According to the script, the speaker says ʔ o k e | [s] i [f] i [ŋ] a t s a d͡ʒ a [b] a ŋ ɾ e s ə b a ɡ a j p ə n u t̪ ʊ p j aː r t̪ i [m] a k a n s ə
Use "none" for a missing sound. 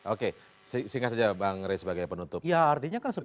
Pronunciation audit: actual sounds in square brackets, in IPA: s, s, ŋ, b, ɲ

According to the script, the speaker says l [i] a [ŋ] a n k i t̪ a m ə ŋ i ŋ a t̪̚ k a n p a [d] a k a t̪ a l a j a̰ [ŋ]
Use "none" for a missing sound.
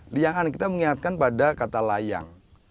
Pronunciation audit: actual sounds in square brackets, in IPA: i, ŋ, d, ŋ

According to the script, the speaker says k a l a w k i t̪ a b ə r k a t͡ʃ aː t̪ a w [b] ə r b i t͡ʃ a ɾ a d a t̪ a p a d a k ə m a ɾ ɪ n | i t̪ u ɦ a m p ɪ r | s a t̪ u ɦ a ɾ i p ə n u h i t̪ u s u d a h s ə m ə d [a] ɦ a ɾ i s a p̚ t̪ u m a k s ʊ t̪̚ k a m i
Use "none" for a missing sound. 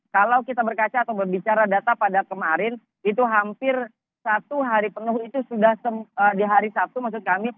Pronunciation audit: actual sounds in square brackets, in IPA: b, i

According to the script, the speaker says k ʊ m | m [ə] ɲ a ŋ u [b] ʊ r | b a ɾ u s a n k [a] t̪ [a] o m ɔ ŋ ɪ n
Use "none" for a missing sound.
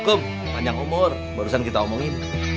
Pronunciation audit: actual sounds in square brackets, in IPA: a, m, i, a

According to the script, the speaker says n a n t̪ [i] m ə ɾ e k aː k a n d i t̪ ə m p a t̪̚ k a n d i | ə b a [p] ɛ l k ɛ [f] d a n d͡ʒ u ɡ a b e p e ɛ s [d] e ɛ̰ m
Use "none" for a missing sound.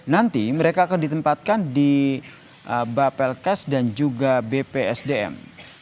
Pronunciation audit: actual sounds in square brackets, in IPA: i, p, s, d

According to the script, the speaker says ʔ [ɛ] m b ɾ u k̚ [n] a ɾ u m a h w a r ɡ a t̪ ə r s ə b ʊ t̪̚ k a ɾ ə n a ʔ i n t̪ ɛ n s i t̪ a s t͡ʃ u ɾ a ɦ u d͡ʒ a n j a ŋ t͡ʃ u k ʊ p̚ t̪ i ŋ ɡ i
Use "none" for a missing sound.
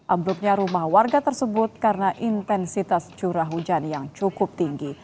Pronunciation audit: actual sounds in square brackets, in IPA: a, ɲ

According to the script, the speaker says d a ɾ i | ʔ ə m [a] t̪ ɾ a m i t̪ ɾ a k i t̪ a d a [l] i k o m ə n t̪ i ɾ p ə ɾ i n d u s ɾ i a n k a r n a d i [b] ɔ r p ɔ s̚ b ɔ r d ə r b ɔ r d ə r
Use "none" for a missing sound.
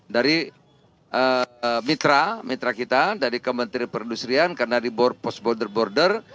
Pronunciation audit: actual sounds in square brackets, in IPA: i, ɾ, b

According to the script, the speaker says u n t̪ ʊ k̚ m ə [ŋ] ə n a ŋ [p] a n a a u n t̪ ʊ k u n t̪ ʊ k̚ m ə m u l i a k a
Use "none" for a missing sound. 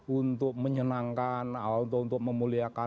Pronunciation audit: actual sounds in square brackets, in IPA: ɲ, k

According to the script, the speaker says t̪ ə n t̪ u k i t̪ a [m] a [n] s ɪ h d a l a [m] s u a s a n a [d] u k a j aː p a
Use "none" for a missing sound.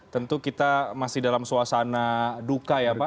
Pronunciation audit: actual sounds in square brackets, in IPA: m, none, m, d

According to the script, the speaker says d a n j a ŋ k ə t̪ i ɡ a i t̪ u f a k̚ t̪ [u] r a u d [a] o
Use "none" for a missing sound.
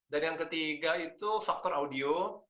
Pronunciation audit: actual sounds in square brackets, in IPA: ɔ, i

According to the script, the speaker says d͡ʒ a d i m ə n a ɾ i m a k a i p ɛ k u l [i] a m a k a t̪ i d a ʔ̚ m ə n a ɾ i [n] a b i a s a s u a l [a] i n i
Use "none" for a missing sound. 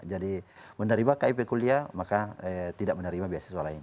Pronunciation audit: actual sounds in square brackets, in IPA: i, m, a

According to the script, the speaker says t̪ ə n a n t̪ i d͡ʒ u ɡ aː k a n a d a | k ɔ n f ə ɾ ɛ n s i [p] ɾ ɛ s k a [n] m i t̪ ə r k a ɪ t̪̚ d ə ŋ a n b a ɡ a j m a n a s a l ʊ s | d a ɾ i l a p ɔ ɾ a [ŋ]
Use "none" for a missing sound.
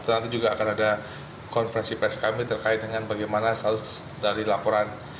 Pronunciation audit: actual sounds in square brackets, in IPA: p, none, n

